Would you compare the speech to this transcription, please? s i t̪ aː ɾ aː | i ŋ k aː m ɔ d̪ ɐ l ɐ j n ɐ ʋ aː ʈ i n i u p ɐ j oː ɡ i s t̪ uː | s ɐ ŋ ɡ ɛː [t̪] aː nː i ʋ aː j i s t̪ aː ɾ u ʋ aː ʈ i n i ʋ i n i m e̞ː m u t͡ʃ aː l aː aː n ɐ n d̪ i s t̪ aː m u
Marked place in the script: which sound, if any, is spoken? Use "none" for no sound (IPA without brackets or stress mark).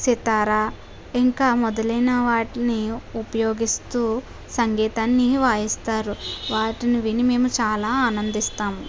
t̪